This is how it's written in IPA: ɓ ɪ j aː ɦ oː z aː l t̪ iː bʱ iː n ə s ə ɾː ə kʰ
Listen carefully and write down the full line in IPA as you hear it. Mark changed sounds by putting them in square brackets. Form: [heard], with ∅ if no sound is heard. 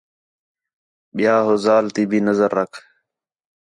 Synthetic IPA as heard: ɓ ɪ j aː ɦ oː z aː l t̪ iː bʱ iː n ə [z] ə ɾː ə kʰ